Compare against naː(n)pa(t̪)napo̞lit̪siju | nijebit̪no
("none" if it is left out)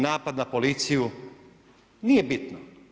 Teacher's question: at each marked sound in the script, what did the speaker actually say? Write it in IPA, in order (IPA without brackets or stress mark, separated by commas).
none, d̪